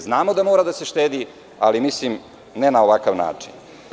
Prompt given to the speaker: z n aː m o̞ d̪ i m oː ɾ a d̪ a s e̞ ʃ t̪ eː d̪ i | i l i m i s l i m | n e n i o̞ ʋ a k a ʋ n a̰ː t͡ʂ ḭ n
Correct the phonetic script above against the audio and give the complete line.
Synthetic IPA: z n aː m o̞ d̪ a m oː ɾ a d̪ a s e̞ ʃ t̪ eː d̪ i | a l i m i s l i m | n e n a o̞ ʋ a k a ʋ n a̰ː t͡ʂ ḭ n

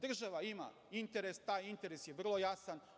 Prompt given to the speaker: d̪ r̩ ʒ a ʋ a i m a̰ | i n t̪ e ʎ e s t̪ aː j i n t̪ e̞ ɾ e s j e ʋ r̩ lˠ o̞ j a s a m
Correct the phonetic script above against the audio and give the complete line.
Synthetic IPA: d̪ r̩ ʒ a ʋ a i m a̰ | i n t̪ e ɾ e s t̪ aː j i n t̪ e̞ ɾ e s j e ʋ r̩ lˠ o̞ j a s a n

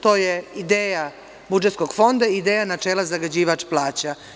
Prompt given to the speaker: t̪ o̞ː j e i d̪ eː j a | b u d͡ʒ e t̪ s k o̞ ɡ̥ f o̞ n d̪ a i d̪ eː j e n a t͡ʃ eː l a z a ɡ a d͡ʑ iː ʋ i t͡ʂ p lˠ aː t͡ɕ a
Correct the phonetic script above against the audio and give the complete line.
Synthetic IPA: t̪ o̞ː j e i d̪ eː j a | b u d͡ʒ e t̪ s k o̞ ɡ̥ f o̞ n d̪ a i d̪ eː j a n a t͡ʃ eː l a z a ɡ a d͡ʑ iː ʋ a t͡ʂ p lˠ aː t͡ɕ a

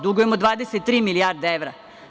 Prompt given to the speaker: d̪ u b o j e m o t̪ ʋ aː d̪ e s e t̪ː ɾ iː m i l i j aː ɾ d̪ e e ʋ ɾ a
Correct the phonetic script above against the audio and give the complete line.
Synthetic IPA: d̪ u ɡ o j e m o d̪ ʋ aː d̪ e s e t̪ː ɾ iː m i l i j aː ɾ d̪ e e ʋ ɾ a

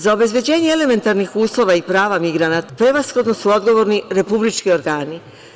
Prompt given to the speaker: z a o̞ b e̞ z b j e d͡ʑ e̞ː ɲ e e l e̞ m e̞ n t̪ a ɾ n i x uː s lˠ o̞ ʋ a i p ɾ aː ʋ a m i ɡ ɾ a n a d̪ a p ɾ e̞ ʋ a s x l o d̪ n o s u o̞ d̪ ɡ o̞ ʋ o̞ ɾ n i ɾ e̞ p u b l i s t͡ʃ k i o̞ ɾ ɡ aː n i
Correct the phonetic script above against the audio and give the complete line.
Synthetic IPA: z a o̞ b e̞ z b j e d͡ʑ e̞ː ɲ e e l e̞ m e̞ n t̪ a ɾ n i x uː s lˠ o̞ ʋ a i p ɾ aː ʋ a m i ɡ ɾ a n a t̪ a p ɾ e̞ ʋ a s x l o d̪ n o s u o̞ d̪ ɡ o̞ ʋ o̞ ɾ n i ɾ e̞ p u b l i t͡ʃ k i o̞ ɾ ɡ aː n i

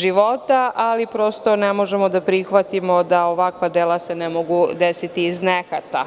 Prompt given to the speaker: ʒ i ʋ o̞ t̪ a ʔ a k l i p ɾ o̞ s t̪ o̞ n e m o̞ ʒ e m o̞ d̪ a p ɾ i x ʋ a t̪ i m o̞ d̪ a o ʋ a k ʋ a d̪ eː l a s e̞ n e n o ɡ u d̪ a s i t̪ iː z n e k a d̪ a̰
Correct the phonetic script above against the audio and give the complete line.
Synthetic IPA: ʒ i ʋ o̞ t̪ a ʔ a l i p ɾ o̞ s t̪ o̞ n e m o̞ ʒ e m o̞ d̪ a p ɾ i x ʋ a t̪ i m o̞ d̪ a o ʋ a k ʋ a d̪ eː l a s e̞ n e m o ɡ u d̪ e s i t̪ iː z n e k a t̪ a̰

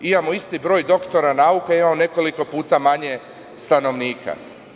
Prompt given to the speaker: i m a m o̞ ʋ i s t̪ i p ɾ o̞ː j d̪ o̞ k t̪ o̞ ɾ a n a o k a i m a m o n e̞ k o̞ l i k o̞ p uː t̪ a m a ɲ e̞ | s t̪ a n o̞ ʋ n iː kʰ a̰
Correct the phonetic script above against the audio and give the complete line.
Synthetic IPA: i m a m o̞ i s t̪ i b ɾ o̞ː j d̪ o̞ k t̪ o̞ ɾ a n a u k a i m a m o n e̞ k o̞ l i k o̞ p uː t̪ a m a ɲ e̞ | s t̪ a n o̞ ʋ n iː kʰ a̰

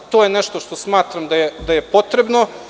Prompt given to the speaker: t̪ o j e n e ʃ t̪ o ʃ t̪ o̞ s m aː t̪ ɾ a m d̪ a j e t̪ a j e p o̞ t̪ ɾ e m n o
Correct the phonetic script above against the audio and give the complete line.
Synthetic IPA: t̪ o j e n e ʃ t̪ o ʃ t̪ o̞ s m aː t̪ ɾ a m d̪ a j e d̪ a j e p o̞ t̪ ɾ e b n o

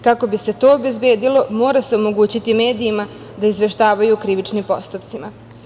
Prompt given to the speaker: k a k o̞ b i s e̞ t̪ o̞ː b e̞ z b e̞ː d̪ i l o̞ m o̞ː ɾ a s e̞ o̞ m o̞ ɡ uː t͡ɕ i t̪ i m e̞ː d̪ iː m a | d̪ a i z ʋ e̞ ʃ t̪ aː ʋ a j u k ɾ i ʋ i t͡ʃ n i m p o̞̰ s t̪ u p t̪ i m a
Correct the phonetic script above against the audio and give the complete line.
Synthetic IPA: k a k o̞ b i s e̞ t̪ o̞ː b e̞ z b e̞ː d̪ i l o̞ m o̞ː ɾ a s e̞ o̞ m o̞ ɡ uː t͡ɕ i t̪ i m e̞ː d̪ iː m a | d̪ a i z ʋ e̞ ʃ t̪ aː ʋ a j u k ɾ i ʋ i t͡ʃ n i m p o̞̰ s t̪ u p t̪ i m a

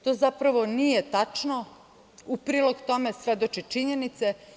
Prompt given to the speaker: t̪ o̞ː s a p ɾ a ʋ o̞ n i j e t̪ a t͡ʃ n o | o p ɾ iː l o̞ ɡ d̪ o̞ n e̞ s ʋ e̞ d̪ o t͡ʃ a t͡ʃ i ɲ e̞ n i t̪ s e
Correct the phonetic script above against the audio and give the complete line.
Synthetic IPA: t̪ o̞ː z a p ɾ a ʋ o̞ n i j e t̪ a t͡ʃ n o | u p ɾ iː l o̞ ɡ t̪ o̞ m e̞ s ʋ e̞ d̪ o t͡ʃ i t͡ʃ i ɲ e̞ n i t̪ s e

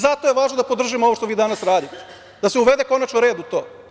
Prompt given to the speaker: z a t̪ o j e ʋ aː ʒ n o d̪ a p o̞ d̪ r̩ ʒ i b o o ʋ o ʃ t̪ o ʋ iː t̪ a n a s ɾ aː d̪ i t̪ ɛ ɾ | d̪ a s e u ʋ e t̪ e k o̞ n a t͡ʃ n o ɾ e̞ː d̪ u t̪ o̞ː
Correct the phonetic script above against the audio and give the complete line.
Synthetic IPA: z a t̪ o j e ʋ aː ʒ n o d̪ a p o̞ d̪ r̩ ʒ i m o o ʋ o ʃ t̪ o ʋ iː d̪ a n a s ɾ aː d̪ i t̪ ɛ | d̪ a s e u ʋ e d̪ e k o̞ n a t͡ʃ n o ɾ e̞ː d̪ u t̪ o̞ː

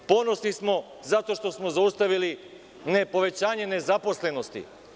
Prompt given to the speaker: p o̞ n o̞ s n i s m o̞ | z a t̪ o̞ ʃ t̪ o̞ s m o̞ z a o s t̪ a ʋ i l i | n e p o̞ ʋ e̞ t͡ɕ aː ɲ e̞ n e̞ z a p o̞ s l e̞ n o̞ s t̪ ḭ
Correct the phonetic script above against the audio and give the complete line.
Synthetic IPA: p o̞ n o̞ s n i s m o̞ | z a t̪ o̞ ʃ t̪ o̞ s m o̞ z a u s t̪ a ʋ i l i | n e p o̞ ʋ e̞ t͡ɕ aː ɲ e̞ n e̞ z a p o̞ s l e̞ n o̞ s t̪ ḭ

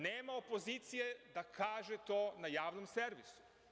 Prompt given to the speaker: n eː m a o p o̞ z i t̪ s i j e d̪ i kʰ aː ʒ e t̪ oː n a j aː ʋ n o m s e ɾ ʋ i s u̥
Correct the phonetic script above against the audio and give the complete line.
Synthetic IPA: n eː m a o p o̞ z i t̪ s i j e d̪ a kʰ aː ʒ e t̪ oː n a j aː ʋ n o m s e ɾ ʋ i s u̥

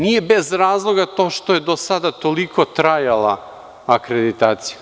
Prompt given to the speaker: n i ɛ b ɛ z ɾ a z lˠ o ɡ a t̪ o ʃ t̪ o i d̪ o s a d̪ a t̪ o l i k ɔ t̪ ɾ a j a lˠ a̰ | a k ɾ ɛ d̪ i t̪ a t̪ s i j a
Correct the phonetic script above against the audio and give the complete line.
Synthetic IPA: n i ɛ b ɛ z ɾ a z lˠ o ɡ a t̪ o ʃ t̪ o ɛ d̪ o s a d̪ a t̪ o l i k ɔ t̪ ɾ a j a lˠ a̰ | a k ɾ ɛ d̪ i t̪ a t̪ s i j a

